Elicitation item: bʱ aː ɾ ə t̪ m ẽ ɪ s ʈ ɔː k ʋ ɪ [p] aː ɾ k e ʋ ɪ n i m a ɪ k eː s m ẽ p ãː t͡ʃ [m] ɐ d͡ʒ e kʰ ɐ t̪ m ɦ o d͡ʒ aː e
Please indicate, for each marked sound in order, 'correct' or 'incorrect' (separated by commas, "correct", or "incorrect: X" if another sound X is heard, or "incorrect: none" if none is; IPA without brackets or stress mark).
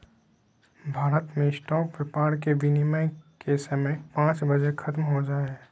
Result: correct, incorrect: b